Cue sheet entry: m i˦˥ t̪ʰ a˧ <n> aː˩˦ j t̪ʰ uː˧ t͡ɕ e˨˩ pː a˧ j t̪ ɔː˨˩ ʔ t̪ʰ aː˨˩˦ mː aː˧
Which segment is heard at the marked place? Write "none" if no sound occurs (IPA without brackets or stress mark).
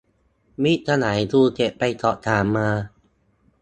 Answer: n